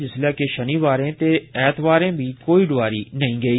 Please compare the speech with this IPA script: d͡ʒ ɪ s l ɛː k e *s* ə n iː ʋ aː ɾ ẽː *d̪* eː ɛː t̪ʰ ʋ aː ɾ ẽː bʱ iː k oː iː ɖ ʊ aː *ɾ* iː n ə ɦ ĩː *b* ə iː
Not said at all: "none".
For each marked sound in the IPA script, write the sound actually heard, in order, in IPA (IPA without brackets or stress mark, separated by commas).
ʃ, t̪, ɾ, ɡ